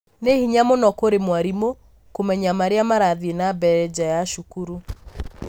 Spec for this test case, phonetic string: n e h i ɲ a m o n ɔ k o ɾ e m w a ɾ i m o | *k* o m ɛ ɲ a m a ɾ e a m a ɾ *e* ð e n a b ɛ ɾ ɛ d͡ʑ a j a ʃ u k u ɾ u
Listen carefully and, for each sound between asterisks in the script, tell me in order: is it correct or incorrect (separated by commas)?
correct, incorrect